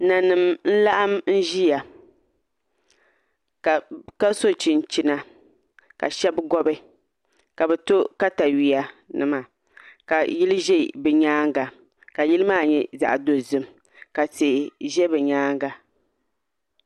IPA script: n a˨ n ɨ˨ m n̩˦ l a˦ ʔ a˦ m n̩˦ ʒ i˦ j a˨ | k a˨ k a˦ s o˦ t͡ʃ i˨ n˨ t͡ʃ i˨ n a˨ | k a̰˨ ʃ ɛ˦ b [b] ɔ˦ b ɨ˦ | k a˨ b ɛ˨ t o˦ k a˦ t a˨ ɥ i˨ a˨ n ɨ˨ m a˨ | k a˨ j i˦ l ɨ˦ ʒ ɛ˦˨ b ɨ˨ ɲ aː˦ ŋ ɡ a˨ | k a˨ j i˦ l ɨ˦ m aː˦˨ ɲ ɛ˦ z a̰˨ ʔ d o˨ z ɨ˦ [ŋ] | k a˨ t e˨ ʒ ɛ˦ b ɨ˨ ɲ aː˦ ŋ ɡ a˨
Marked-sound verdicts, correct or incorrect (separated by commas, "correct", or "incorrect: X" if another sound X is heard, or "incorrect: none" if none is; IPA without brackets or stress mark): incorrect: ɡ, incorrect: m